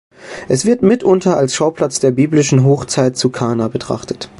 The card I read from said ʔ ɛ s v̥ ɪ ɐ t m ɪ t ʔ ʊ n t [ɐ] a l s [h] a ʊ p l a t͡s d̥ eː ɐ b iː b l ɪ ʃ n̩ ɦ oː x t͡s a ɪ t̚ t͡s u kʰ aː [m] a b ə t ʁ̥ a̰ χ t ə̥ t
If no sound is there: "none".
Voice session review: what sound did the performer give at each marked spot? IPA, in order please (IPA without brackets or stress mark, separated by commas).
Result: ɐ, ʃ, n